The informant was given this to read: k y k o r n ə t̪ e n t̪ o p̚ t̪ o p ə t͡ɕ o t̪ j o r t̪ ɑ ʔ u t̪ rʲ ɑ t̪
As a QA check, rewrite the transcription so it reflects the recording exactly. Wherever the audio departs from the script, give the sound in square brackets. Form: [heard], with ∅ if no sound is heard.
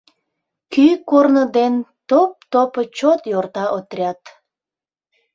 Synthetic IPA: k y k o r n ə [d̪] e n t̪ o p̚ t̪ o p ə t͡ɕ o t̪ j o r t̪ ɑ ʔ [o] t̪ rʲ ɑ t̪